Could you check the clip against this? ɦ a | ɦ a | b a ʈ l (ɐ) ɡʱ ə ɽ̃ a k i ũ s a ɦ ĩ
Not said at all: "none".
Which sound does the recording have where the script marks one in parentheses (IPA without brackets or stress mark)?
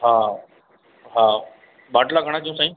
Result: a